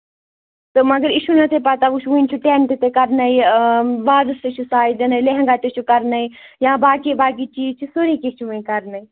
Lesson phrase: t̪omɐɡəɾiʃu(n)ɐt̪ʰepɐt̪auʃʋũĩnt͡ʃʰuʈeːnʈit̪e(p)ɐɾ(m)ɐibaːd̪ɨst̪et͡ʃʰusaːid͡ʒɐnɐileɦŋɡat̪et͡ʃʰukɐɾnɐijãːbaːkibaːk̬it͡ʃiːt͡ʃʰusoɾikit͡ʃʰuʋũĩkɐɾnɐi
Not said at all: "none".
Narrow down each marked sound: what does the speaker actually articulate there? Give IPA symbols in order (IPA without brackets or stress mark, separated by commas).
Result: n, k, n